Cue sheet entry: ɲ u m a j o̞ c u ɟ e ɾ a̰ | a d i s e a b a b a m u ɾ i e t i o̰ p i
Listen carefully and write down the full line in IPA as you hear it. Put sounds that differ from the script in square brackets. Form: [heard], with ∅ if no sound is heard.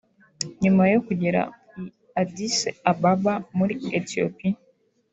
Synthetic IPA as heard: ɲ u m a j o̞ [k] u ɟ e ɾ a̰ | a d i s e a b a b a m u ɾ i e t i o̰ p i

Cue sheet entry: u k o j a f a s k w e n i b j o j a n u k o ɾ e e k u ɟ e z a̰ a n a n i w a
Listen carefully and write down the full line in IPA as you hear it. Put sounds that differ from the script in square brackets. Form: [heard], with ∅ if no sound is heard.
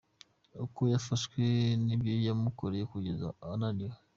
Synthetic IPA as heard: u k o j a f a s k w e n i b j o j a [m] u k o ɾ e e k u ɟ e z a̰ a n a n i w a

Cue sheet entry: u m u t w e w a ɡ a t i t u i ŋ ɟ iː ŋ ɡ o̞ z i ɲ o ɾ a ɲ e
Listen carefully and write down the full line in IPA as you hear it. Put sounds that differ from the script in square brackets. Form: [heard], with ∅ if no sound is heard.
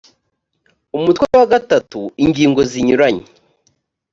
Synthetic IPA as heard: u m u t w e w a ɡ a t [a] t u i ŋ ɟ iː ŋ ɡ o̞ z i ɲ [u] ɾ a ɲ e

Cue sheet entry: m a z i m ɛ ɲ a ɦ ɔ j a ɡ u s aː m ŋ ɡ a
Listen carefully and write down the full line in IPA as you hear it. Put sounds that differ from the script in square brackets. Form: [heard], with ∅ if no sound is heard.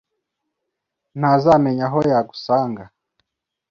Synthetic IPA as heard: [n] a z [a] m ɛ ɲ a ɦ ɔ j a ɡ u s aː [∅] ŋ ɡ a

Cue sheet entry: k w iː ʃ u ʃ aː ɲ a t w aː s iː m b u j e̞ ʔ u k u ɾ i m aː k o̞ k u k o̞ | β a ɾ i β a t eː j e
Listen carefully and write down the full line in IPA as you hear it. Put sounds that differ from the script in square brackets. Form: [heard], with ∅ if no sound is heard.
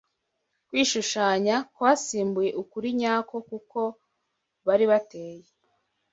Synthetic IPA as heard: k w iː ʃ u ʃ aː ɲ a [k] w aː s iː m b u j e̞ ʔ u k u ɾ i [ɲ] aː k o̞ k u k o̞ | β a ɾ i β a t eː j e

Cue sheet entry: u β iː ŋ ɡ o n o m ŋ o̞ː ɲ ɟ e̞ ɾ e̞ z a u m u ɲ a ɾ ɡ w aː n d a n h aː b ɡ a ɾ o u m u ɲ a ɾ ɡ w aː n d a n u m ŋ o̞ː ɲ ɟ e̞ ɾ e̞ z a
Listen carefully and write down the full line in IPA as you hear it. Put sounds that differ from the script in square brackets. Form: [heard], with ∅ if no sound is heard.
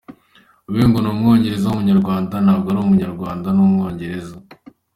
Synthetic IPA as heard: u β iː ŋ ɡ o n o m ŋ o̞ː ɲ ɟ e̞ ɾ e̞ z a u m u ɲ a ɾ ɡ w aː n d a n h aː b ɡ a ɾ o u m u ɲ a ɾ ɡ w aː n d a n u m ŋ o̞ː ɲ ɟ e̞ ɾ e̞ z a

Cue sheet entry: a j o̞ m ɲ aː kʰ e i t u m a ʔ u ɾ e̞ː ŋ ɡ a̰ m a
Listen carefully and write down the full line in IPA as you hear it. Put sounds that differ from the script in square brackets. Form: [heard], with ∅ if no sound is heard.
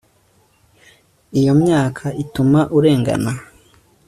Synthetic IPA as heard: [i] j o̞ m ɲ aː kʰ [a] i t u m a ʔ u ɾ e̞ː ŋ ɡ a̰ [n] a

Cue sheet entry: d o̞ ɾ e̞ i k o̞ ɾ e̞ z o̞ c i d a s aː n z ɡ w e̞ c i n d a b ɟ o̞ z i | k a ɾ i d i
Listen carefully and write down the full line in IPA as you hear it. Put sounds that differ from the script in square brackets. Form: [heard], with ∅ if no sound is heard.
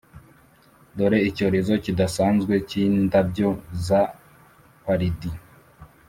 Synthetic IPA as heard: d o̞ ɾ e̞ i [c] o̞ ɾ e̞ z o̞ c i d a s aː n z ɡ w e̞ c i n d a b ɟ o̞ z [a] | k a ɾ i d i

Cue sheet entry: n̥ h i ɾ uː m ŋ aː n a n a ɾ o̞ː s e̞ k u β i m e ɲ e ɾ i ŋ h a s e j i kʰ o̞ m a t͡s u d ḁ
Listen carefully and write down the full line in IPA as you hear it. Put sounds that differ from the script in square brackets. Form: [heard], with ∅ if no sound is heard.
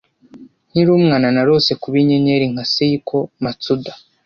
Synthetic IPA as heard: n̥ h i ɾ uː m ŋ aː n a n a ɾ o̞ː s e̞ k u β i [ɲ] e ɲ e ɾ i ŋ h a s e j i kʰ o̞ m a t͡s u d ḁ

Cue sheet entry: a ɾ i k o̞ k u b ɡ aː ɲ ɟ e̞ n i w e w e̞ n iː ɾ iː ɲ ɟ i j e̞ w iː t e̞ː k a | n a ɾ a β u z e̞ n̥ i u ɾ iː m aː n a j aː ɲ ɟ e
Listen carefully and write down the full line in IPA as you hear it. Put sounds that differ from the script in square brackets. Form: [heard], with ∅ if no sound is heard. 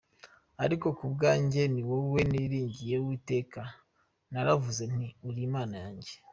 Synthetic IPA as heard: a ɾ i k o̞ k u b ɡ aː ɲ ɟ e̞ n i w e w e̞ n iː ɾ iː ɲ ɟ i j e̞ w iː t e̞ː k a | n a ɾ a [v] u z e̞ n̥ i u ɾ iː m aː n a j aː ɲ ɟ e

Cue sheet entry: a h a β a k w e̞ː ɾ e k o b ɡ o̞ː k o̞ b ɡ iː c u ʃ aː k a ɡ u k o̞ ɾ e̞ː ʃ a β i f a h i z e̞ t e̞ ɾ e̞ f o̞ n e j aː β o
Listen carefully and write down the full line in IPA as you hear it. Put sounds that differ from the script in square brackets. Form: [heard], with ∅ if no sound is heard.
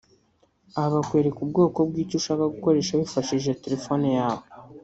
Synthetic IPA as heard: a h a β a k w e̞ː ɾ e k [u] b ɡ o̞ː k o̞ b ɡ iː c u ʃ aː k a ɡ u k o̞ ɾ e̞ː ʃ a β i f a [ʃ] i [ʒ] e̞ t e̞ ɾ e̞ f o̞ n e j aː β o

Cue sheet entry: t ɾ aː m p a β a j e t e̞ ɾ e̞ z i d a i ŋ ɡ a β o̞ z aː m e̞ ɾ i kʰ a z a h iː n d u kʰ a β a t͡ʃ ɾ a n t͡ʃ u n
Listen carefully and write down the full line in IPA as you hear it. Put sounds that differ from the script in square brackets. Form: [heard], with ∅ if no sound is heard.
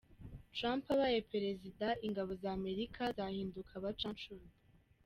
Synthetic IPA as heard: t ɾ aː m p a β a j e [p] e̞ ɾ e̞ z i d a i ŋ ɡ a β o̞ z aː m e̞ ɾ i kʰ a z a h iː n d u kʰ a β a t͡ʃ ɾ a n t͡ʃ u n

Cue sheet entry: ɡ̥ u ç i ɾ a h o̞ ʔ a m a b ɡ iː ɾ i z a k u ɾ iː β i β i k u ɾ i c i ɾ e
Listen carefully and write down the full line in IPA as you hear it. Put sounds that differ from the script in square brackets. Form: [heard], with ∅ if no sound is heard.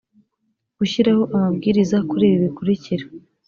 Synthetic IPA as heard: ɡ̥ u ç i ɾ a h o̞ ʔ a m a b ɡ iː ɾ i z a k u ɾ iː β i β i k u ɾ i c i ɾ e

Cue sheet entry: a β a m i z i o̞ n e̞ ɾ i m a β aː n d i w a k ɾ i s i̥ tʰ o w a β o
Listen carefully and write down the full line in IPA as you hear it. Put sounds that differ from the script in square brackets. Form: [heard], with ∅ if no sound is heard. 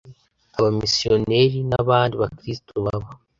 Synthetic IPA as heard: a β a m i [s] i o̞ n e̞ ɾ i [n] a β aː n d i [β] a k ɾ i s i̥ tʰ o [β] a β o

